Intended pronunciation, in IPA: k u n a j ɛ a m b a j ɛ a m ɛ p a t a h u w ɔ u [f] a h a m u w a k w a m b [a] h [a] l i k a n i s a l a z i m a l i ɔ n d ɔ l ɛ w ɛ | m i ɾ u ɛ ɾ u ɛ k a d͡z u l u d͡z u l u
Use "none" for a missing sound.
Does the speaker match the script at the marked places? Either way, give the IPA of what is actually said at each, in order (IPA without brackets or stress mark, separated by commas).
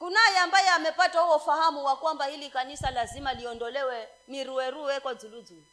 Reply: f, a, i